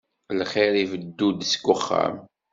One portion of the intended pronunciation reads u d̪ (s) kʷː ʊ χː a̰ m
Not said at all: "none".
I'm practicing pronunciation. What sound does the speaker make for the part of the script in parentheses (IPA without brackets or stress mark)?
s